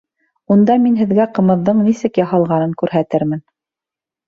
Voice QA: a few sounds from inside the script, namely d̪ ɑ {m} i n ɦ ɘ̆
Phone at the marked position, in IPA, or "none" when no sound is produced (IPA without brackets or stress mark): m